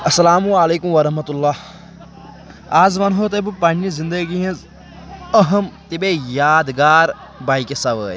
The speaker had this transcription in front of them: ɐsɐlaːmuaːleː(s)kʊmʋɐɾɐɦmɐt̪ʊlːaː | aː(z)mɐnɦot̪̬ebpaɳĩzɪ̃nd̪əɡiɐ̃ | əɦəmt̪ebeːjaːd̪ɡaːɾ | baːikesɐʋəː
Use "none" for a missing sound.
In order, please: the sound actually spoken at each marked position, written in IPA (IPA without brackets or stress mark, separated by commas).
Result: none, z